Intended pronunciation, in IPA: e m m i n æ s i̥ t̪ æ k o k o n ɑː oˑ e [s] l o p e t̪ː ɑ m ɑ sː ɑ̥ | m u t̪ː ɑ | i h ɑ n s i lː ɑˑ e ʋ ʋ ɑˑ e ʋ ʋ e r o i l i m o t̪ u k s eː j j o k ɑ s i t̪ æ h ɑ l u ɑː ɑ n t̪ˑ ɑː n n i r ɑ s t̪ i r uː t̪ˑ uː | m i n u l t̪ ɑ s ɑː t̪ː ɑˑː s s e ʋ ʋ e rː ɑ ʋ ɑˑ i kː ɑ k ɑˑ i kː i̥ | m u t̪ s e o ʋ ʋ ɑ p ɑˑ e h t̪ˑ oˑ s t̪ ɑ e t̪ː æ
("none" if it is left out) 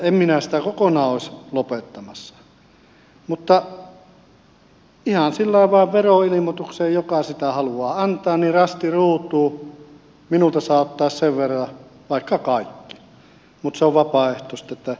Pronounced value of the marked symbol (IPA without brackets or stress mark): s